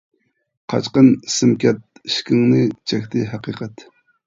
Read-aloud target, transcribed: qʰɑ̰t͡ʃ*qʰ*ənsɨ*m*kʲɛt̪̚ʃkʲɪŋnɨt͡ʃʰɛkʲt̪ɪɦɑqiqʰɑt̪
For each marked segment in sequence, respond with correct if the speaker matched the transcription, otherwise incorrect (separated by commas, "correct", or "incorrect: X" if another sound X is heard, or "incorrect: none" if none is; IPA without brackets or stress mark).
incorrect: q, correct